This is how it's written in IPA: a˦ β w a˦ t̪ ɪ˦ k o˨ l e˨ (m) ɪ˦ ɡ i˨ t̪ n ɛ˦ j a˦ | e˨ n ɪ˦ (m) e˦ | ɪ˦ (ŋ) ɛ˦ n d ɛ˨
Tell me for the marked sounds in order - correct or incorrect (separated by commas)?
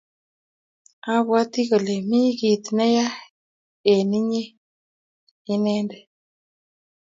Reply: correct, incorrect, incorrect